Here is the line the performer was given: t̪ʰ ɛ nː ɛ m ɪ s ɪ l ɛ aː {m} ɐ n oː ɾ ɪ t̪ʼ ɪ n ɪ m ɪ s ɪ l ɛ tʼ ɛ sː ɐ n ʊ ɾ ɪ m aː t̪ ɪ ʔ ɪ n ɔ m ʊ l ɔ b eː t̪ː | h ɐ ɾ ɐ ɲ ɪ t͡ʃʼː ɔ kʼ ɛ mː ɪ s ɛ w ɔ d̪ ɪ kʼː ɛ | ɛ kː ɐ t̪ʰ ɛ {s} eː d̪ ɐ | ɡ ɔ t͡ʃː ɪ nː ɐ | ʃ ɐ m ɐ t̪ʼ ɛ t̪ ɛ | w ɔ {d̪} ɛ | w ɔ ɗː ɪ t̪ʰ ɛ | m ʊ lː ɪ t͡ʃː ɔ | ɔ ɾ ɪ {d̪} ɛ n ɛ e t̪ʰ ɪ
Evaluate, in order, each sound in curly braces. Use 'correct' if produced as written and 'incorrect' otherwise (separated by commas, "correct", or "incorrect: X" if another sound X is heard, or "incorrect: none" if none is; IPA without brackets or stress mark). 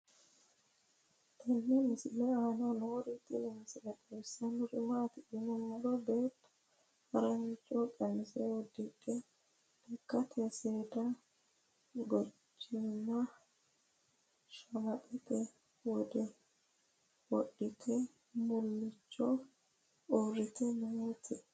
incorrect: n, correct, correct, incorrect: t̪